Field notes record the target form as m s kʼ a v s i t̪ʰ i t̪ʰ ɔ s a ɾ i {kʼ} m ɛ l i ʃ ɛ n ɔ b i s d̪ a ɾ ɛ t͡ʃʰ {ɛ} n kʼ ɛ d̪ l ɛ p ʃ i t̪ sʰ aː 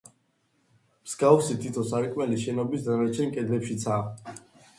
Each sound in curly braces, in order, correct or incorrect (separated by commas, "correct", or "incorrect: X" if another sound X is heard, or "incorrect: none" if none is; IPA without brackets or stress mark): correct, correct